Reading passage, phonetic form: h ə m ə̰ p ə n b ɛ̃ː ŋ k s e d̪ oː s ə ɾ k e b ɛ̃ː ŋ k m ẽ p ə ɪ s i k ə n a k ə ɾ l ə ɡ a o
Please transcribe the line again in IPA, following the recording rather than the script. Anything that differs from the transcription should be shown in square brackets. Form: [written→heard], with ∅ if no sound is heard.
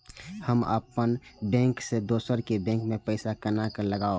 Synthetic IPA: h ə m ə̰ p ə n b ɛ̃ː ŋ k s e d̪ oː s ə ɾ k e b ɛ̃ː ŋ k m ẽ p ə ɪ s [i→a] k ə n a k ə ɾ l ə ɡ a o